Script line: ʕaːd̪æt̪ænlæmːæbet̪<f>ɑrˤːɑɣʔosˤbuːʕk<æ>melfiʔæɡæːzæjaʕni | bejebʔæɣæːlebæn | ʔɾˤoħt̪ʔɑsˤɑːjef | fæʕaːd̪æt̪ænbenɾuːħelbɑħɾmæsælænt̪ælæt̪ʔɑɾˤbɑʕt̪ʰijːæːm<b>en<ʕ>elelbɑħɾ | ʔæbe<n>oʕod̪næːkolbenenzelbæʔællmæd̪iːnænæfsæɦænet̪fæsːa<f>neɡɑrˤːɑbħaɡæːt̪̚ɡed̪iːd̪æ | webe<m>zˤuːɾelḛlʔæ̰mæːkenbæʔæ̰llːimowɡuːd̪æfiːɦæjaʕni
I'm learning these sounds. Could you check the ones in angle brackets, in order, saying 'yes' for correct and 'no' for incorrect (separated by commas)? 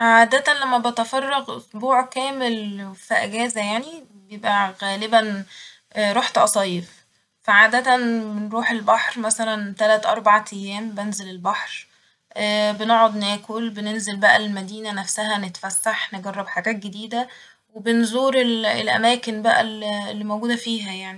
yes, no, yes, no, yes, no, no